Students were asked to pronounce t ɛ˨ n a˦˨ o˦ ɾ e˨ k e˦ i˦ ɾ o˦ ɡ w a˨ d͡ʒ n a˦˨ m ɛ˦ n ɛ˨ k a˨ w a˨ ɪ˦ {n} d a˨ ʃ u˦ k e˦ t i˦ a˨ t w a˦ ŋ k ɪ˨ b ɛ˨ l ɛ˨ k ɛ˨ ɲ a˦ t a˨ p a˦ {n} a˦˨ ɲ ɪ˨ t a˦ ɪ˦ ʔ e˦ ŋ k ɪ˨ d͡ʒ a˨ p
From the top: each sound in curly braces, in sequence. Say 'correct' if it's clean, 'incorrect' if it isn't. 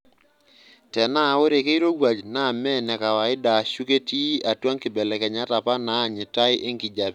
incorrect: none, correct

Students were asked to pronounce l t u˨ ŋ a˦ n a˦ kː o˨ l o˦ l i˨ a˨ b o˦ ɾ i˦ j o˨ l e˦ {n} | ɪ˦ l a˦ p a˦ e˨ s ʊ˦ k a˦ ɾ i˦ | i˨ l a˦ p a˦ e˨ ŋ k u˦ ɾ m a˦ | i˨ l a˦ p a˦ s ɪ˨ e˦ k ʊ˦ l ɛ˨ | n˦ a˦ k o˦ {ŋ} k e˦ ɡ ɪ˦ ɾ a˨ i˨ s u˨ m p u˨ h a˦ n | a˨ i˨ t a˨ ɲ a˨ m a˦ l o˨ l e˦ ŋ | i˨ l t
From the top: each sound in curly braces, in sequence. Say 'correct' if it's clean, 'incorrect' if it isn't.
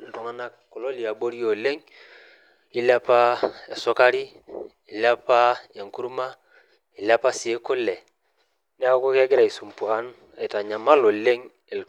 incorrect: ŋ, incorrect: none

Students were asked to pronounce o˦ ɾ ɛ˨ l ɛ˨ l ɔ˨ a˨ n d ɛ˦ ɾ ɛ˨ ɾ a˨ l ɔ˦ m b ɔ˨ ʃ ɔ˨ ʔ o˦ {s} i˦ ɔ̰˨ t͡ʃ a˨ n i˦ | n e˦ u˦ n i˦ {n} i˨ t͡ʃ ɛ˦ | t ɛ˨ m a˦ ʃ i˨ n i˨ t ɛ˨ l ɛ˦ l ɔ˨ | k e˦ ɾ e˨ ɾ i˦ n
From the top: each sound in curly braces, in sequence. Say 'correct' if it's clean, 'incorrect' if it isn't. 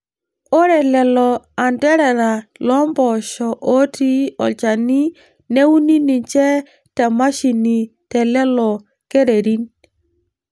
incorrect: t, correct

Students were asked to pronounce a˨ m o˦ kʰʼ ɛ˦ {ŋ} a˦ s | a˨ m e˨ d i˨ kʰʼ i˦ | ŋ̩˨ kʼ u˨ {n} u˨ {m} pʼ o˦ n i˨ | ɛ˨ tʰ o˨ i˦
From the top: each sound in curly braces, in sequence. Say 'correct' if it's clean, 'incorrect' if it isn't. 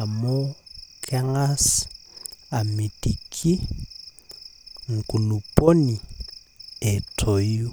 correct, correct, incorrect: none

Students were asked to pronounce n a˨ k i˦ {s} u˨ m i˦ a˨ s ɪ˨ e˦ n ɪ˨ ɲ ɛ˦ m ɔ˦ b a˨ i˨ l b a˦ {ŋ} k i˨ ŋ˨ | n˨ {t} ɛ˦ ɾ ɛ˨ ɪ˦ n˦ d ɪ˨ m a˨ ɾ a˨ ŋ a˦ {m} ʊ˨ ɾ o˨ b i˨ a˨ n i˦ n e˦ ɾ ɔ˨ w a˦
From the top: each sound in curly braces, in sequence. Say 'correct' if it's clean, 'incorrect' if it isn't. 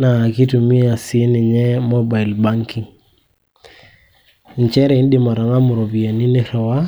incorrect: t, correct, incorrect: t͡ʃ, correct

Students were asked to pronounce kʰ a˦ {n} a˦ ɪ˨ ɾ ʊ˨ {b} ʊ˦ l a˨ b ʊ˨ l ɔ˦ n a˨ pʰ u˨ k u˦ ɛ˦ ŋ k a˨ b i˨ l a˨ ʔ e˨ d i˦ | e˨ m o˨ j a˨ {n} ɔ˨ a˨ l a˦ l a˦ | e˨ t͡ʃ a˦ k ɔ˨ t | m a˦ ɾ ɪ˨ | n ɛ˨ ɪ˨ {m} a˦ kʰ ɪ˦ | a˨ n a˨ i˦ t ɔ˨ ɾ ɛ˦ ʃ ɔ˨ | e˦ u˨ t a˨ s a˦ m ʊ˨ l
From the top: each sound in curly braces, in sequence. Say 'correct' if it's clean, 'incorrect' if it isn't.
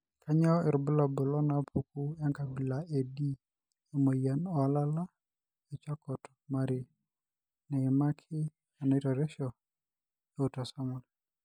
incorrect: ɲ, correct, correct, correct

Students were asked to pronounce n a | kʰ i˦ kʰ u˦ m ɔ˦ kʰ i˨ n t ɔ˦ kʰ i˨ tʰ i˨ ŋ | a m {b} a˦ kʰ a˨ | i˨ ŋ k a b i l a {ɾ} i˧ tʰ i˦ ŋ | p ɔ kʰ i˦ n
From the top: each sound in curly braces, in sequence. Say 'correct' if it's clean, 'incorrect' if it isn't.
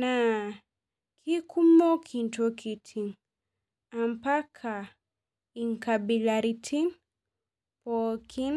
incorrect: p, correct

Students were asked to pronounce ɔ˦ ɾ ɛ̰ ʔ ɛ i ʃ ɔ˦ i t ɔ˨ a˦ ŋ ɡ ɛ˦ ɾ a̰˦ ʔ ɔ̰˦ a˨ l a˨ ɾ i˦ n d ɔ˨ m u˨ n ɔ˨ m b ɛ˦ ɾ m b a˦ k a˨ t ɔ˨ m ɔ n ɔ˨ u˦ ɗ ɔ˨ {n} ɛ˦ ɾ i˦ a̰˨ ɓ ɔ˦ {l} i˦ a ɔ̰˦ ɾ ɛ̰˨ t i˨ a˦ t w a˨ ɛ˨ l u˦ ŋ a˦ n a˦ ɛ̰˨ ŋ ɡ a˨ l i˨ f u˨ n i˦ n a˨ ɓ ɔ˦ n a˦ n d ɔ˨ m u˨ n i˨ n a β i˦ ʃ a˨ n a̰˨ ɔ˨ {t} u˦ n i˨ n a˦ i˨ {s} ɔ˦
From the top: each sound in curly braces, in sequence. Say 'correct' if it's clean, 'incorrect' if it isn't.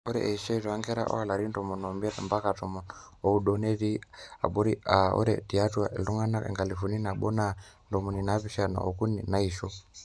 correct, incorrect: ɾ, incorrect: k, incorrect: ʃ

